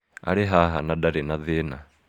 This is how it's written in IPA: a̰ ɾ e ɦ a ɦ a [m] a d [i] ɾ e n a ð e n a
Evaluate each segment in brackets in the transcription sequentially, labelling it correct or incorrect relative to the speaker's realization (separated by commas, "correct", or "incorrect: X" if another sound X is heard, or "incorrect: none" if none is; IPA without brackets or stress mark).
incorrect: n, incorrect: a